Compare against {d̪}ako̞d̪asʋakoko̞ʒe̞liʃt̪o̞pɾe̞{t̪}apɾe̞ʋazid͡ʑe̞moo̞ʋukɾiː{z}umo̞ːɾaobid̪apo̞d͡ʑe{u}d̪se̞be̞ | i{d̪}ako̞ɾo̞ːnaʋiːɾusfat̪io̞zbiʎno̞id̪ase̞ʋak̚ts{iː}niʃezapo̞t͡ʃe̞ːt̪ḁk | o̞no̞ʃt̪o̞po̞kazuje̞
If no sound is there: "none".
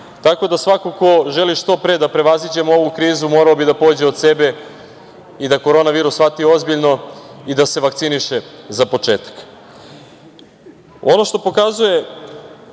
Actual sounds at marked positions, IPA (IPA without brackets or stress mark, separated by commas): t̪, d̪, z, o, d̪, i